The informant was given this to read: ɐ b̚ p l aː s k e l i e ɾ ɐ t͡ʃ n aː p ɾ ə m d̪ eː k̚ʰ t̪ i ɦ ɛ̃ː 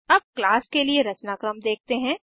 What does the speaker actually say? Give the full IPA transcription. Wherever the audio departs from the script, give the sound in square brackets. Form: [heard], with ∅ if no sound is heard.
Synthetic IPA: ɐ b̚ [k] l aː s k e l i e ɾ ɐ t͡ʃ n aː [k] ɾ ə m d̪ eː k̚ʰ t̪ [e] ɦ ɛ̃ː

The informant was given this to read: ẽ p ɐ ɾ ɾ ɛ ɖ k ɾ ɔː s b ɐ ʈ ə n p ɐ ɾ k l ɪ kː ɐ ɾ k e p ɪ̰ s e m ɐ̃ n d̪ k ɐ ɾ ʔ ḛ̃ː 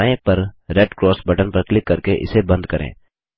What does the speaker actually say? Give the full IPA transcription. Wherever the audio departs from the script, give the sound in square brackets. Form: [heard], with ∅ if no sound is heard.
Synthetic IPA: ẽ p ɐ ɾ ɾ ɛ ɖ k ɾ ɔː s b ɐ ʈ ə n p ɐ ɾ k l ɪ kː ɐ ɾ k e [ʔ] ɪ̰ s e [b] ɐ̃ n d̪ k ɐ ɾ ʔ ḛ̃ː

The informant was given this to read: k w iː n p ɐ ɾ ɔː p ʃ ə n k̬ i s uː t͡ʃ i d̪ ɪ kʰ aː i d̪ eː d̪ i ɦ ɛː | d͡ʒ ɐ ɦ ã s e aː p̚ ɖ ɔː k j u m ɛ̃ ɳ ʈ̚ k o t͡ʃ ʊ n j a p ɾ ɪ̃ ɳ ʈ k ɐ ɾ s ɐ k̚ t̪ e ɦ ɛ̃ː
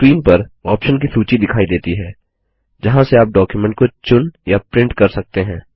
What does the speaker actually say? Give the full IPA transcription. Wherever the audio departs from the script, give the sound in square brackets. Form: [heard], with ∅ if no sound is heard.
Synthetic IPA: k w iː n p ɐ ɾ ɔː p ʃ ə n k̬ i s uː t͡ʃ i d̪ ɪ kʰ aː i d̪ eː [t̪] i ɦ ɛː | d͡ʒ ɐ ɦ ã s e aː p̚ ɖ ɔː k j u m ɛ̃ ɳ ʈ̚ k o t͡ʃ ʊ n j a p ɾ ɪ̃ ɳ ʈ k ɐ ɾ s ɐ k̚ t̪ e ɦ ɛ̃ː

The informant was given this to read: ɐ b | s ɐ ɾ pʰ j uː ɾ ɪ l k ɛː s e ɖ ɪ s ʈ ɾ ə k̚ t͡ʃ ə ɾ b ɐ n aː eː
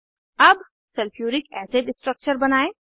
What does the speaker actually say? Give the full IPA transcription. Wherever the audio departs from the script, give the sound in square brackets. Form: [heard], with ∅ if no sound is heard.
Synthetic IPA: ɐ b | s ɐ [l] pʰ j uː ɾ ɪ [∅] k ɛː s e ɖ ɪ s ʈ ɾ ə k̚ t͡ʃ ə ɾ b ɐ n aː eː

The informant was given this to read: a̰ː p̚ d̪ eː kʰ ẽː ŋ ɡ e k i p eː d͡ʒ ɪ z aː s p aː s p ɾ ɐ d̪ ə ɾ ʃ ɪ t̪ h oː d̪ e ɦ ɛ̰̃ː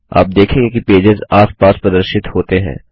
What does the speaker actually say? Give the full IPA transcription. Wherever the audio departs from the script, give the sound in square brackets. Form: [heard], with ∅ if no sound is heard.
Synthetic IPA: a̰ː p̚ d̪ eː kʰ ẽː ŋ ɡ e k i p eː d͡ʒ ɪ z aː s p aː s p ɾ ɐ d̪ ə ɾ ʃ ɪ t̪ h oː [t̪] e ɦ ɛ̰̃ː

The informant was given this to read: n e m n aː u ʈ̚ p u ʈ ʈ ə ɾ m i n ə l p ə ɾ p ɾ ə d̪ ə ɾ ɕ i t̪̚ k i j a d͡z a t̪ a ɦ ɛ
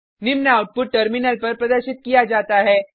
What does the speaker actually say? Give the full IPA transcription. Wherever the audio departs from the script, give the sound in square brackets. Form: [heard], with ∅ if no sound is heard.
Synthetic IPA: n [i] m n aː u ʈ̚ p u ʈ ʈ ə ɾ m i n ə l p ə ɾ p ɾ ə d̪ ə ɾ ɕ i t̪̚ k i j a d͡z a t̪ a ɦ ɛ

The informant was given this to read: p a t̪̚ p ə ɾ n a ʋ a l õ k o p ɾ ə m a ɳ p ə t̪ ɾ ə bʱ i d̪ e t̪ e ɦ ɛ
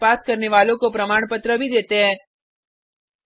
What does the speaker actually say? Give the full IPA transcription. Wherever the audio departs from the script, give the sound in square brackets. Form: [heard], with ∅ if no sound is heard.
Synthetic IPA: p a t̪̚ [k] ə ɾ n [e] ʋ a l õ k o p ɾ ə m a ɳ p ə t̪ ɾ ə bʱ i d̪ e t̪ e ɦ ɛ

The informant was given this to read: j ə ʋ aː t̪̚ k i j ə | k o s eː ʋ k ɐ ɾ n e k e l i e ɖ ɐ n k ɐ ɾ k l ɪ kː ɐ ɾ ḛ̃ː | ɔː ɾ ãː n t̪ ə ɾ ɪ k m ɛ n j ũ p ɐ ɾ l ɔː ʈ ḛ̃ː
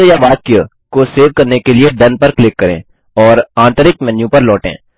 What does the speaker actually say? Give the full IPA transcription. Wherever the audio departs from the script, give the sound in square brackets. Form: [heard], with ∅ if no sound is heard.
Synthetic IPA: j [a] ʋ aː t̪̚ k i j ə | k o s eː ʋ k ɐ ɾ n e k e l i e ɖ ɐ n [p] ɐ ɾ k l ɪ kː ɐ ɾ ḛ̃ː | ɔː ɾ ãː n t̪ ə ɾ ɪ k m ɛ n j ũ p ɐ ɾ l ɔː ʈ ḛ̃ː

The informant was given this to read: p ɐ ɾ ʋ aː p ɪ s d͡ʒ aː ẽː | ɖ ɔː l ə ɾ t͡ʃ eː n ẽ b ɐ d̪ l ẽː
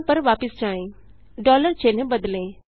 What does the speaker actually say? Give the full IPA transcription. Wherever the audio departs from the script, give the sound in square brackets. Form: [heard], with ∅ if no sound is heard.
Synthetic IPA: p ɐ ɾ ʋ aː p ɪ s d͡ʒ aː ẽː | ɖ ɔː l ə ɾ t͡ʃ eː n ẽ b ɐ d̪ l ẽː

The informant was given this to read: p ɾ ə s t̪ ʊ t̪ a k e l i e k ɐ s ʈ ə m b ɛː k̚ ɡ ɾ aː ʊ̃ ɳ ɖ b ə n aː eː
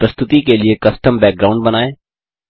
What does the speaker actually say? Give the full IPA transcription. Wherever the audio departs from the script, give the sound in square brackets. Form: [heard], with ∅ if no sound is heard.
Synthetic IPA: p ɾ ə s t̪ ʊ t̪ [i] k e l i e k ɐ s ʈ ə m b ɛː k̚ ɡ ɾ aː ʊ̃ ɳ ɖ b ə n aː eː

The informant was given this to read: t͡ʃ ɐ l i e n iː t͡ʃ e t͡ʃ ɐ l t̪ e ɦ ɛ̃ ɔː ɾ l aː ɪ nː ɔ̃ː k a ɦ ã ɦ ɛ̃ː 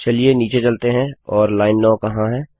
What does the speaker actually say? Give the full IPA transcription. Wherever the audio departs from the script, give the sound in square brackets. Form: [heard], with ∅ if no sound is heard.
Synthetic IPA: t͡ʃ ɐ l i e n iː t͡ʃ e t͡ʃ ɐ l t̪ e ɦ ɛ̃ ɔː ɾ l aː ɪ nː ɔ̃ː k [ɐ] ɦ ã ɦ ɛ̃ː

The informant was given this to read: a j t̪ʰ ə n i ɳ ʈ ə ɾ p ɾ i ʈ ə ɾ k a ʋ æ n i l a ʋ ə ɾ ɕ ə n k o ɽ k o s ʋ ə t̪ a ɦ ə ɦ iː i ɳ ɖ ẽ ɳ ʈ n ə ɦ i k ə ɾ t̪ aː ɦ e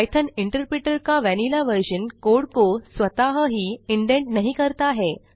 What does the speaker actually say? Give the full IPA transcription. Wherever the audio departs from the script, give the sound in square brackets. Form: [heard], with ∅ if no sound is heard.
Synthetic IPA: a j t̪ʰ ə n i ɳ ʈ ə ɾ p ɾ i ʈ ə ɾ k a ʋ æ n i l a ʋ ə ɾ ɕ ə n k o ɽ k o s ʋ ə t̪ a ɦ ə ɦ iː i ɳ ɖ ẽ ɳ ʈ n ə ɦ i k ə ɾ t̪ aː ɦ e

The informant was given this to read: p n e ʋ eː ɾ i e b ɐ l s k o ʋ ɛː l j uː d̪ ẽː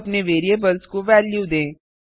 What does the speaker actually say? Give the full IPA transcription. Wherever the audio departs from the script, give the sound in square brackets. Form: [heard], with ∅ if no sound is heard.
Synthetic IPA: p n e ʋ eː ɾ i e b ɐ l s k o ʋ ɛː l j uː d̪ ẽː

